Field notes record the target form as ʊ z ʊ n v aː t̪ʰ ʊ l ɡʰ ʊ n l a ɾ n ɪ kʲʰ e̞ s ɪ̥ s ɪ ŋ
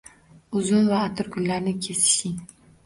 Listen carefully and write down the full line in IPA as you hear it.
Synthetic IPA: ʊ z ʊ n v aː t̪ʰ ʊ ɾ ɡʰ ʊ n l a ɾ n ɪ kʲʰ e̞ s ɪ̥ ʃ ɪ ŋ